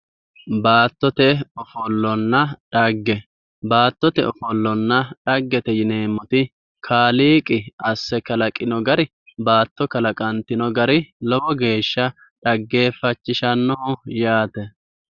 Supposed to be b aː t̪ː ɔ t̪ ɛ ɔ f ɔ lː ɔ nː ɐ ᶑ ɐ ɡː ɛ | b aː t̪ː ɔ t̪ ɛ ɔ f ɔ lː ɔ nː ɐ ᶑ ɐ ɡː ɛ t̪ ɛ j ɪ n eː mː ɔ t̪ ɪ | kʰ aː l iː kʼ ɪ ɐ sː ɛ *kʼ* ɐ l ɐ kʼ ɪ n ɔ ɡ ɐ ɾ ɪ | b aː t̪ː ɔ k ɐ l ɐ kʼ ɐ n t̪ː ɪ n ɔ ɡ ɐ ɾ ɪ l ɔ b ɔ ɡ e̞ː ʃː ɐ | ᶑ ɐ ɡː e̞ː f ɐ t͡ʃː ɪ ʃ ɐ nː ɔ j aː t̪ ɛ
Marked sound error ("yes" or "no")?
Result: yes